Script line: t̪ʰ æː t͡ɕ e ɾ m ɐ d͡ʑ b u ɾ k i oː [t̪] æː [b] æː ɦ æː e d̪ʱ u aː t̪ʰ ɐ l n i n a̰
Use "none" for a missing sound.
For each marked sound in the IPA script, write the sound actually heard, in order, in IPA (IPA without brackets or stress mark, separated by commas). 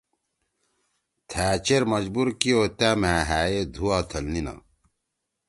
t̪, m